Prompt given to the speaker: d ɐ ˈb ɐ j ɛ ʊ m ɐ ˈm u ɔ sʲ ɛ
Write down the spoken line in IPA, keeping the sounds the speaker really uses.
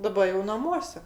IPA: d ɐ ˈb ɐ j ɛ ʊ n ɐ ˈm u ɔ sʲ ɛ

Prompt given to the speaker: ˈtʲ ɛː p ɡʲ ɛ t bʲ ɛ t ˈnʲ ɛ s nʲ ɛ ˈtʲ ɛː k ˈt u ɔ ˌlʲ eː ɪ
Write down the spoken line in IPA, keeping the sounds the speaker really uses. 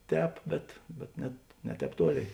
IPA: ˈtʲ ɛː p bʲ ɛ t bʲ ɛ t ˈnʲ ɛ t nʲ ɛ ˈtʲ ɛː p ˈt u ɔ ˌlʲ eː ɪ

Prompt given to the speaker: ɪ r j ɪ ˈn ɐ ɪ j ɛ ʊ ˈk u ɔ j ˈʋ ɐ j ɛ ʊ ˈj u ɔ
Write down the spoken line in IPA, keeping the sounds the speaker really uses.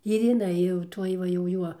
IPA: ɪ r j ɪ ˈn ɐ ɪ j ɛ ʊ ˈt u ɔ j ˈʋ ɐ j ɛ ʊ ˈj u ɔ

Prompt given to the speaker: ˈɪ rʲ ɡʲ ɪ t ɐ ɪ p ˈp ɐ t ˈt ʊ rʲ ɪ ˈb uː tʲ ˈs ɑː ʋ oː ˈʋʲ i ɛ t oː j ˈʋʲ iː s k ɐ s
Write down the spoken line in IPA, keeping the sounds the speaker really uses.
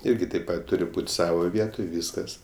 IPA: ˈɪ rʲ ɡʲ ɪ t ɐ ɪ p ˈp ɐ t ˈt ʊ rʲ ɪ ˈb uː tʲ ˈs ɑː ʋ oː ˈʋʲ i ɛ t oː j ˈʋʲ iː s k ɐ s

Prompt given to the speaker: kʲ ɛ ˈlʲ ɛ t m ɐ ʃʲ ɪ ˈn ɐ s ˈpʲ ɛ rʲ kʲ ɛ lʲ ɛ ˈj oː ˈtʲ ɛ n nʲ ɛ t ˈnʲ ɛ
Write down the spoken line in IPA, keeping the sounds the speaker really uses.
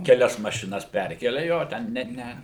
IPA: kʲ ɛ ˈlʲ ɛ s m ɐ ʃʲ ɪ ˈn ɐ s ˈpʲ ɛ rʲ kʲ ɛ lʲ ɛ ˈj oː ˈtʲ ɛ n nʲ ɛ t ˈnʲ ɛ

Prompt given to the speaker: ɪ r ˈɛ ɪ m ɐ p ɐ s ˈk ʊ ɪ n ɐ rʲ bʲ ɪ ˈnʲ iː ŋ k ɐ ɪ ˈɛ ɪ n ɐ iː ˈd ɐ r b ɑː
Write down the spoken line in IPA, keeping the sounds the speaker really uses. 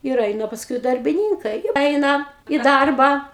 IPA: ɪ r ˈɛ ɪ n ɐ p ɐ s ˈk ʊ ɪ d ɐ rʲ bʲ ɪ ˈnʲ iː ŋ k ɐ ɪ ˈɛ ɪ n ɐ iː ˈd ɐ r b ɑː

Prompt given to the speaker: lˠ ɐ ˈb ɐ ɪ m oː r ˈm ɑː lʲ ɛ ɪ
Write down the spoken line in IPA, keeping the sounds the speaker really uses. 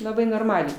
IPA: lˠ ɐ ˈb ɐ ɪ n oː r ˈm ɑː lʲ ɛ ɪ

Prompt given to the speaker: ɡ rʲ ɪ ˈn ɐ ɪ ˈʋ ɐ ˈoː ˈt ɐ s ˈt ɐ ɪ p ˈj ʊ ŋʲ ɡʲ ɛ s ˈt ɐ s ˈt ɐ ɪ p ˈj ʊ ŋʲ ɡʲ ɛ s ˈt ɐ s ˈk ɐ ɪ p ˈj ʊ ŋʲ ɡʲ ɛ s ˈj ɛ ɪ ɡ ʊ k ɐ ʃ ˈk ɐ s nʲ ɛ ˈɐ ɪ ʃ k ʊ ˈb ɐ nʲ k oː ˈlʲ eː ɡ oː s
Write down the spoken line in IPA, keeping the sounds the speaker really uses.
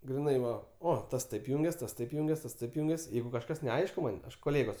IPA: ɡ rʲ ɪ ˈn ɐ ɪ ˈʋ ɐ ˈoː ˈt ɐ s ˈt ɐ ɪ p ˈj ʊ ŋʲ ɡʲ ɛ s ˈt ɐ s ˈt ɐ ɪ p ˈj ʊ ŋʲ ɡʲ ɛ s ˈt ɐ s ˈt ɐ ɪ p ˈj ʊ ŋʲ ɡʲ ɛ s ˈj ɛ ɪ ɡ ʊ k ɐ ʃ ˈk ɐ s nʲ ɛ ˈɐ ɪ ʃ k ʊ ˈm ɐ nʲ k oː ˈlʲ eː ɡ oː s

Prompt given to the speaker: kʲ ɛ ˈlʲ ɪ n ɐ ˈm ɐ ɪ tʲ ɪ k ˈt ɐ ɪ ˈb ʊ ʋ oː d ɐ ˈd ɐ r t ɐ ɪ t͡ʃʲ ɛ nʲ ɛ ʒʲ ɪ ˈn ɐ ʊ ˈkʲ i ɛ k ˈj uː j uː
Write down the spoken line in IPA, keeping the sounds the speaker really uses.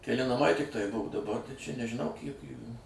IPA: kʲ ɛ ˈlʲ ɪ n ɐ ˈm ɐ ɪ tʲ ɪ k ˈt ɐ ɪ ˈb ʊ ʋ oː d ɐ ˈb ɐ r t ɐ ɪ t͡ʃʲ ɛ nʲ ɛ ʒʲ ɪ ˈn ɐ ʊ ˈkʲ i ɛ k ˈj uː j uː

